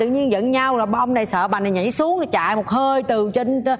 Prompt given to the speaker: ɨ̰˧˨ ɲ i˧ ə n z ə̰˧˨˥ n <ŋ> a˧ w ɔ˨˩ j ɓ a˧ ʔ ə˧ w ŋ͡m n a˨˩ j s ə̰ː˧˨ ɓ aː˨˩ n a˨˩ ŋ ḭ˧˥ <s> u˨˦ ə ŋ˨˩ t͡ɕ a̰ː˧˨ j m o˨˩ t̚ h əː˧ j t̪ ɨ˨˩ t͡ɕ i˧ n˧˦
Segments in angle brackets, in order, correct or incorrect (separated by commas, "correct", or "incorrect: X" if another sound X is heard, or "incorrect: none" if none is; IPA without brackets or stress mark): incorrect: ɲ, correct